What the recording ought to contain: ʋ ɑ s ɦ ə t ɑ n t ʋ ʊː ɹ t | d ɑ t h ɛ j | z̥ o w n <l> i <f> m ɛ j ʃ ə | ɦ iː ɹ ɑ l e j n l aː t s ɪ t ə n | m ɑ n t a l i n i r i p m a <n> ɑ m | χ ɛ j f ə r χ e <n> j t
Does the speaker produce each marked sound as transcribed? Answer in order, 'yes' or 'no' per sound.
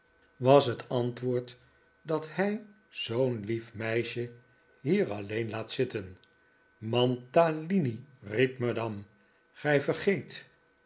yes, yes, no, no

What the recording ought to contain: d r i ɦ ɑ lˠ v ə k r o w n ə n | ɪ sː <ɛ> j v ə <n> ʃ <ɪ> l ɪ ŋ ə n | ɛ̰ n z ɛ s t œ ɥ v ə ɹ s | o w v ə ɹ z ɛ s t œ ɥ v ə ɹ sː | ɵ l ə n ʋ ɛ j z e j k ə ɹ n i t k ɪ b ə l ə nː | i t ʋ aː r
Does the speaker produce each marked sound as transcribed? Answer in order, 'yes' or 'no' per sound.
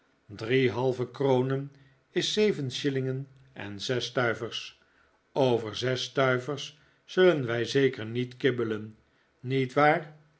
no, yes, yes

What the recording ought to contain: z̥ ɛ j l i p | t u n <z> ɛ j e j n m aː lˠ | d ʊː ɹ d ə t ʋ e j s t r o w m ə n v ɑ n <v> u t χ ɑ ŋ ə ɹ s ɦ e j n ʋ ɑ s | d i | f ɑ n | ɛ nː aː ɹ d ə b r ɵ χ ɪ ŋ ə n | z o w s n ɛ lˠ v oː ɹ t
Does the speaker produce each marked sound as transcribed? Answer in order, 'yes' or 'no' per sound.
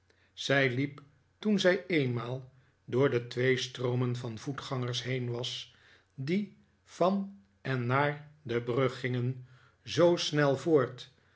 yes, yes

